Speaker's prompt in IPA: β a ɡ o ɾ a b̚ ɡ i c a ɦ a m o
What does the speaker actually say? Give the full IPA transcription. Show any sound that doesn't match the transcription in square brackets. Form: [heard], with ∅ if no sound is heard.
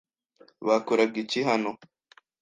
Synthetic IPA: β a [k] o ɾ a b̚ ɡ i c [i] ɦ a [n] o